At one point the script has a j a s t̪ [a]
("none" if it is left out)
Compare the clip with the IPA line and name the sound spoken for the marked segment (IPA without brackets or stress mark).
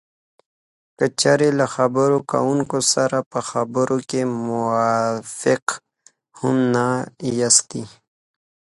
i